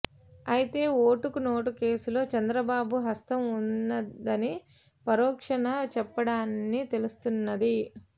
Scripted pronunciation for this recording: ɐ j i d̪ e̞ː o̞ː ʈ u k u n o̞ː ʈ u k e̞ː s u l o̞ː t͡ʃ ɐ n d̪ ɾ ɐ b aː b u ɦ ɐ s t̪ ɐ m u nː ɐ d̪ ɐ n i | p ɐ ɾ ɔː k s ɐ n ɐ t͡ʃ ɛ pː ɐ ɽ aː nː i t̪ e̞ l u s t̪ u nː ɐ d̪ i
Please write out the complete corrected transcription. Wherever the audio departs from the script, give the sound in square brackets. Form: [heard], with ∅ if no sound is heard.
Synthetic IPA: ɐ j i [t̪] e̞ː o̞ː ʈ u k u n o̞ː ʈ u k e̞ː s u l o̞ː t͡ʃ ɐ n d̪ ɾ ɐ b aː b u ɦ ɐ s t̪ ɐ m u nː ɐ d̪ ɐ n i | p ɐ ɾ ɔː k [ʂ] ɐ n ɐ t͡ʃ ɛ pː ɐ ɽ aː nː i t̪ e̞ l u s t̪ u nː ɐ d̪ i

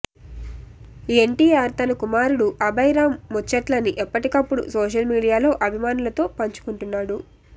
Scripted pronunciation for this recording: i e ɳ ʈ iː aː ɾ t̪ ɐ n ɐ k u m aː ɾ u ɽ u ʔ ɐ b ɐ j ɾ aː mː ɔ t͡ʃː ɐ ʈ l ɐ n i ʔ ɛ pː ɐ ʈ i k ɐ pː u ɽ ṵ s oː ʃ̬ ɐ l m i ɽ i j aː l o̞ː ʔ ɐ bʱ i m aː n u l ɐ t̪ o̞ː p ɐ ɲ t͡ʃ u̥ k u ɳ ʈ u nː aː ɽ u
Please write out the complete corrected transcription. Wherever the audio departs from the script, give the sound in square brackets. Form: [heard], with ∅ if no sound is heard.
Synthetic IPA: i e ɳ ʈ iː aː ɾ t̪ ɐ n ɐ k u m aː ɾ u ɽ u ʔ ɐ b ɐ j ɾ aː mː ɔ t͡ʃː ɐ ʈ l ɐ n i ʔ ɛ pː ɐ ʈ i k ɐ pː u ɽ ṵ s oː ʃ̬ ɐ l m [iː] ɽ i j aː l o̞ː ʔ ɐ bʱ i m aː n u l ɐ t̪ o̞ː p ɐ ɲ t͡ʃ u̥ k u ɳ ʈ u nː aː ɽ u

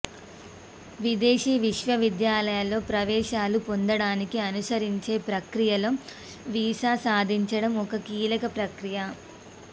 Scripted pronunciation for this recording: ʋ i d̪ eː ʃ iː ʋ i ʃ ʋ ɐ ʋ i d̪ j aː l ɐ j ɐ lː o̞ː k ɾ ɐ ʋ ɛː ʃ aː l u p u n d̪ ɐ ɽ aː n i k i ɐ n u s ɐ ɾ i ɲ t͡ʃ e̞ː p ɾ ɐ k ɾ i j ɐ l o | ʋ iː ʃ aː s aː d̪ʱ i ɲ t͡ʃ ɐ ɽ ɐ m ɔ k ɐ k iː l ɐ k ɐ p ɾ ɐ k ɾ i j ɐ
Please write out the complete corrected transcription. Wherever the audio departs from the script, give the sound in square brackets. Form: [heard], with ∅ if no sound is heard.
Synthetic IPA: ʋ i d̪ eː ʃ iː ʋ i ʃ ʋ ɐ ʋ i d̪ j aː l ɐ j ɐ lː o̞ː [p] ɾ ɐ ʋ ɛː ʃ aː l u p [o] n d̪ ɐ ɽ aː n i k i ɐ n u s ɐ ɾ i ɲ t͡ʃ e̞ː p ɾ ɐ k ɾ i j ɐ l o | ʋ iː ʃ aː s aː d̪ʱ i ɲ t͡ʃ ɐ ɽ ɐ m ɔ k ɐ k iː l ɐ k ɐ p ɾ ɐ k ɾ i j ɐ

